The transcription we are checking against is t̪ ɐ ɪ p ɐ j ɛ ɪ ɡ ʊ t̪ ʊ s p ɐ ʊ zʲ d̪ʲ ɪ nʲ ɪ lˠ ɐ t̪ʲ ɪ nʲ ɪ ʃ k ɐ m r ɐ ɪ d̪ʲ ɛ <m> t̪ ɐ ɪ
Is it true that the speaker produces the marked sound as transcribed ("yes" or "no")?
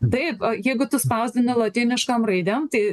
yes